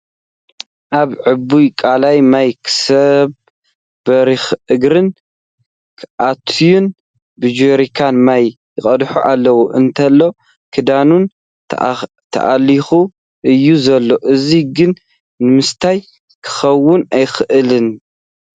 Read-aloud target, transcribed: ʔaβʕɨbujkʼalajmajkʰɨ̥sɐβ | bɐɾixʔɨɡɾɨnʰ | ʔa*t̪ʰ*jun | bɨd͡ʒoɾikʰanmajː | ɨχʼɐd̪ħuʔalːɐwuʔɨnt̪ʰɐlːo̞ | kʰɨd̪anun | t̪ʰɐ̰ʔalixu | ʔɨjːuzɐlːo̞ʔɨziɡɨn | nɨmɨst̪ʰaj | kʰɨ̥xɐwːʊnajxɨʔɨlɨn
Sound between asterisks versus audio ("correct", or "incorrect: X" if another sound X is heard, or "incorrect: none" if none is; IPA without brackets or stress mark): correct